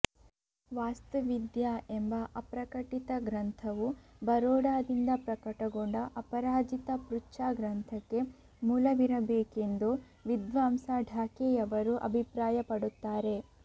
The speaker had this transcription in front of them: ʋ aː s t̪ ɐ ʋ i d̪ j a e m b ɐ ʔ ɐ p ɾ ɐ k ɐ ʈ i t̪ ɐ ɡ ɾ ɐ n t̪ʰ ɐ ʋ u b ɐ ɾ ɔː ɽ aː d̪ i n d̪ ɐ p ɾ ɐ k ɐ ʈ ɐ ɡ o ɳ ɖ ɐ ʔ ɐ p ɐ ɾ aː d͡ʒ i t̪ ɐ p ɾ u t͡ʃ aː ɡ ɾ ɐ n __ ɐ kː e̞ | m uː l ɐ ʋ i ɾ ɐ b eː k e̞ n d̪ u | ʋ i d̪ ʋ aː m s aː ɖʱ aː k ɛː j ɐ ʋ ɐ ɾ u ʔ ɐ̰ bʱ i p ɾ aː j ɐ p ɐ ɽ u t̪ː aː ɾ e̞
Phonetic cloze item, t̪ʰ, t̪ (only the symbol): t̪ʰ